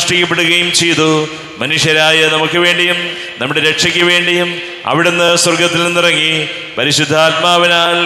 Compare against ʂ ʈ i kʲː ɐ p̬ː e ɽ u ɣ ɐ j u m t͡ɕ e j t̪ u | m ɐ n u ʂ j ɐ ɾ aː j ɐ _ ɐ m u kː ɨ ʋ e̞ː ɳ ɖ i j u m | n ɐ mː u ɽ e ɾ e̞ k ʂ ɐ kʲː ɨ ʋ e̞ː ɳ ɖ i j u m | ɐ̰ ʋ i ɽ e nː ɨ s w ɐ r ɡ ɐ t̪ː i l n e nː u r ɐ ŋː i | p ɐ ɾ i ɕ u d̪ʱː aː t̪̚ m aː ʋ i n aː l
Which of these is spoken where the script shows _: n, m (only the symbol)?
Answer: n